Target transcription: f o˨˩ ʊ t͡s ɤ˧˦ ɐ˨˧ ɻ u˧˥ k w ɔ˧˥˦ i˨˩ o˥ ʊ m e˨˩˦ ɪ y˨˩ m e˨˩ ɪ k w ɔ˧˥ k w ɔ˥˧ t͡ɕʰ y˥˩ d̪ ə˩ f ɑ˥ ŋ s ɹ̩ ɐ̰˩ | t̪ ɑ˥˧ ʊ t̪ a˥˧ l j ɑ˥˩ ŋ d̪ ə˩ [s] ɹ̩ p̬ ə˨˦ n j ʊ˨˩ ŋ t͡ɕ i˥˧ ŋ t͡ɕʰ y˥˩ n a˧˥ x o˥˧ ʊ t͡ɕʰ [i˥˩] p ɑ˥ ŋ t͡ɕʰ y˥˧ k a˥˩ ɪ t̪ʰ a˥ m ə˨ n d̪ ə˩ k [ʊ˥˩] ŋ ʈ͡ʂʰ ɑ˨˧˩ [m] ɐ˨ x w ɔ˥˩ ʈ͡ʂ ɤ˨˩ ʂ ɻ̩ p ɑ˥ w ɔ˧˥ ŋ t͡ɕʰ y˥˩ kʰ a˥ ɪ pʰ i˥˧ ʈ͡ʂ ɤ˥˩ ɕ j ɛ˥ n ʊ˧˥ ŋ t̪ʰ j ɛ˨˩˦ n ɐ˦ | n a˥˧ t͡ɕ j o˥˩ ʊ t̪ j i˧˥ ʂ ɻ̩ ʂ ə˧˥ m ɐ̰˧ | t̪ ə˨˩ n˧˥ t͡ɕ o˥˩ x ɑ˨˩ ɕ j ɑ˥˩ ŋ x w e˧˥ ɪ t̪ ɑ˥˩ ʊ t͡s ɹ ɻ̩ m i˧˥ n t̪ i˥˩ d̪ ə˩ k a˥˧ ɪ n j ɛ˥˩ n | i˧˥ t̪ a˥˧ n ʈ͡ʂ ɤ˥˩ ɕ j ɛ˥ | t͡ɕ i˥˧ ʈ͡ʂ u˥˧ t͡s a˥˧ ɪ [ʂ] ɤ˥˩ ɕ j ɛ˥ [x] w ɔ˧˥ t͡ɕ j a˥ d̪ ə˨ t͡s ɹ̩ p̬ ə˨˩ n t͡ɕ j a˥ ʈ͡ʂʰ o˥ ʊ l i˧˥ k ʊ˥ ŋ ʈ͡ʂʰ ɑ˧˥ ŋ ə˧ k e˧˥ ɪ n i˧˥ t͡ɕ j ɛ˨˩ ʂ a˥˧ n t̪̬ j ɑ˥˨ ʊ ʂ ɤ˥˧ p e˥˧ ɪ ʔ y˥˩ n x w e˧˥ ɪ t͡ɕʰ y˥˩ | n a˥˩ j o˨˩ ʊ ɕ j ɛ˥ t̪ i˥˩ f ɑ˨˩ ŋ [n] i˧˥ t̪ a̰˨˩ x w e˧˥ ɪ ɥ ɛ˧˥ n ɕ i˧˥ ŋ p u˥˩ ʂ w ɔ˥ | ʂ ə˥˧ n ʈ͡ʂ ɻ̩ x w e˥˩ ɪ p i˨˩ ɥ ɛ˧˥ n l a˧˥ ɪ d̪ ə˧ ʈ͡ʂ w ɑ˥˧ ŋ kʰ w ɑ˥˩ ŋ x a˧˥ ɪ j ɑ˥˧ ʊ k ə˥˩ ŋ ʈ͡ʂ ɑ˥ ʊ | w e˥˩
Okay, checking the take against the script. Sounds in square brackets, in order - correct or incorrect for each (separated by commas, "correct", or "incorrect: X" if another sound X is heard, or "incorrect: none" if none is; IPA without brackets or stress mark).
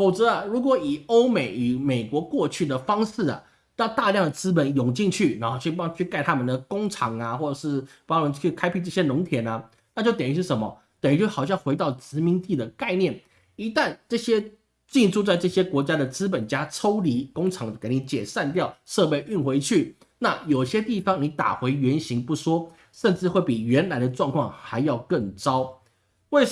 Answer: incorrect: t͡s, incorrect: y˥˩, incorrect: ʊ˥, incorrect: ŋ, incorrect: ʈ͡ʂ, incorrect: k, correct